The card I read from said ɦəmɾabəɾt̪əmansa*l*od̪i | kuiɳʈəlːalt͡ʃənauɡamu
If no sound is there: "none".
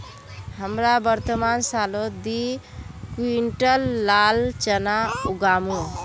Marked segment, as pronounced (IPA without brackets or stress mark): l